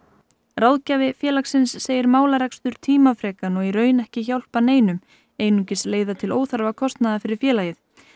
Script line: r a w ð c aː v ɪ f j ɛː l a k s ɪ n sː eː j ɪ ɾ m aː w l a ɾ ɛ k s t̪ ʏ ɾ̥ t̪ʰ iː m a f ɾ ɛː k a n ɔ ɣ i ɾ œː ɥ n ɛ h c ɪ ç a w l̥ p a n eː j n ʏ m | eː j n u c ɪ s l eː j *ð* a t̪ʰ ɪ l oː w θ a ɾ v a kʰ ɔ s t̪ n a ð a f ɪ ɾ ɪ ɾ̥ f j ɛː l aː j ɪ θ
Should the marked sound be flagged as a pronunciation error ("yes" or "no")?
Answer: no